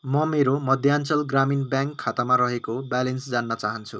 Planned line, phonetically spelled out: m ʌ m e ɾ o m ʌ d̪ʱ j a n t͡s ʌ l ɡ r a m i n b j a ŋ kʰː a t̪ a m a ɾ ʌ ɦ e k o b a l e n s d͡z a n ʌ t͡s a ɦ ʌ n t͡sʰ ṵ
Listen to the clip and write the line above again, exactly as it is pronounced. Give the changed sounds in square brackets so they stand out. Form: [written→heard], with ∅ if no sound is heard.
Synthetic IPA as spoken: m ʌ m e ɾ o m ʌ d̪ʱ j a n t͡s ʌ l ɡ r a m i n b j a ŋ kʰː a t̪ a m a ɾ ʌ ɦ e k o b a l e n s d͡z a [n→nː] ʌ t͡s a ɦ ʌ n t͡sʰ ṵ